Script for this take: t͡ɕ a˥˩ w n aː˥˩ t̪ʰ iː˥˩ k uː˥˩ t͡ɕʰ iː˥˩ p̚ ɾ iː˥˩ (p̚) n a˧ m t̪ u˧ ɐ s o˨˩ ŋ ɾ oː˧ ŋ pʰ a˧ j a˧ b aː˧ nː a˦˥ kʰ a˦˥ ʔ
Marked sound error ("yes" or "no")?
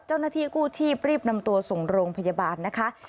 no